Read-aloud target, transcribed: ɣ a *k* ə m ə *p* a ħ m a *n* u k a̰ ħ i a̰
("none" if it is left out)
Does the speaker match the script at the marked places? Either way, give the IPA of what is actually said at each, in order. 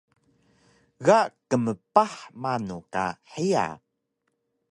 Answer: k, p, n

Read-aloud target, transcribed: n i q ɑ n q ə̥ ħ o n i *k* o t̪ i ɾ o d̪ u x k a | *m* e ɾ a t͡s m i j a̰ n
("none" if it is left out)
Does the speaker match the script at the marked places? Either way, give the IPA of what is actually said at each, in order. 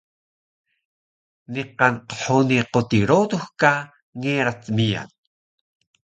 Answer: q, ŋ

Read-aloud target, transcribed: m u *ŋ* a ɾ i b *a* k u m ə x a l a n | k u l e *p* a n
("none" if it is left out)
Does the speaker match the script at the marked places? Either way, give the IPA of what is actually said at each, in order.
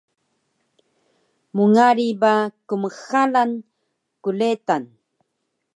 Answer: ŋ, a, t

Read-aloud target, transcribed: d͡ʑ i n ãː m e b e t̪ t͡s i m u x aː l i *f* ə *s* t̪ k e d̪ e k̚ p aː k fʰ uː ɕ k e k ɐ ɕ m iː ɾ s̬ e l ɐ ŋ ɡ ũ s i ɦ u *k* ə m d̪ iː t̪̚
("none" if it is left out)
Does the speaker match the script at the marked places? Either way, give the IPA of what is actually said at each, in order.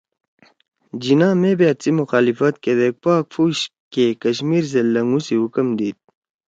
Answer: f, none, k

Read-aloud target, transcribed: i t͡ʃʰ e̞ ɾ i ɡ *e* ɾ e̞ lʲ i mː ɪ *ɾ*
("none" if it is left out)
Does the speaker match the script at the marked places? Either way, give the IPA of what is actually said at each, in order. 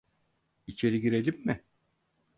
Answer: i, none

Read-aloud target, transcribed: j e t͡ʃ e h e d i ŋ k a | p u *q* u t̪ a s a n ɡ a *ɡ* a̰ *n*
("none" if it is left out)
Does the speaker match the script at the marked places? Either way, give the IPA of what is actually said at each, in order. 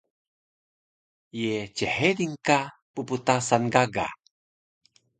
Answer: p, ɡ, none

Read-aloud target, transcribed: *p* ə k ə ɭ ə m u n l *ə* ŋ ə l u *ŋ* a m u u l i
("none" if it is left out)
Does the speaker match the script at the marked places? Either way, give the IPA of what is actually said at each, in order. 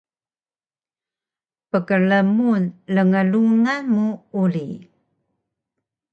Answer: p, ə, ŋ

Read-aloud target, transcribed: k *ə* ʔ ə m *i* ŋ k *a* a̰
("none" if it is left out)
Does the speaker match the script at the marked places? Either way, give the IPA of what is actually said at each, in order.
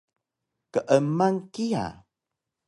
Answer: ə, a, i

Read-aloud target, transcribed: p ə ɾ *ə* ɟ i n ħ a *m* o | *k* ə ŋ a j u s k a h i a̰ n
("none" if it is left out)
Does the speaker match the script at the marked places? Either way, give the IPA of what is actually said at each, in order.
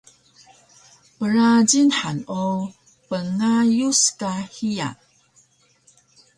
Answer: a, n, p

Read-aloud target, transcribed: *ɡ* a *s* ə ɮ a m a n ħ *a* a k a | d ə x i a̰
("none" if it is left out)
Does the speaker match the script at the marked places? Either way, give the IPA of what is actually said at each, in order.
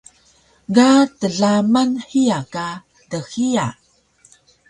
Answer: ɡ, t, i

